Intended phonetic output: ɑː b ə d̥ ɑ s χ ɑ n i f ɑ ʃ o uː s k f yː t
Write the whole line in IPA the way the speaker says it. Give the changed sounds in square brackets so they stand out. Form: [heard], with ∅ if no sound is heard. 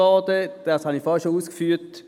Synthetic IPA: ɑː [d] ə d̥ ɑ s [h] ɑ n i f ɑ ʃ o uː s k f yː t